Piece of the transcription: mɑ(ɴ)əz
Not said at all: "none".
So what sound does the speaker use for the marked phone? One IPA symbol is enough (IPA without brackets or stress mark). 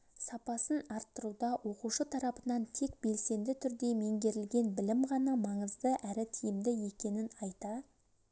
ɴ